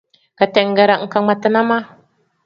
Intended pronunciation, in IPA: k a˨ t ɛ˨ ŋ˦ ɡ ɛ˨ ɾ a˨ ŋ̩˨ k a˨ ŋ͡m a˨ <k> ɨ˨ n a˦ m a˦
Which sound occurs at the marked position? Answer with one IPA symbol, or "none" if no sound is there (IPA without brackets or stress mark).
t